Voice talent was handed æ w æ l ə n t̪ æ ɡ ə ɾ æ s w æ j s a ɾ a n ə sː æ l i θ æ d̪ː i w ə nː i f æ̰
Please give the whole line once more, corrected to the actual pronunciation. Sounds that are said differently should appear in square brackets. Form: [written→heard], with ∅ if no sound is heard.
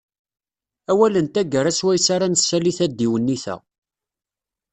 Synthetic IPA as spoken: æ w æ l ə n t̪ æ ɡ ə ɾ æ s w æ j s a ɾ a n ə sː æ l i θ æ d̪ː i w ə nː i [f→θ] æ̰